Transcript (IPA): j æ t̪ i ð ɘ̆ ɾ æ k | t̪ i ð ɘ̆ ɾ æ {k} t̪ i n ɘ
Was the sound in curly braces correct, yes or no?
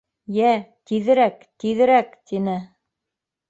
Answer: yes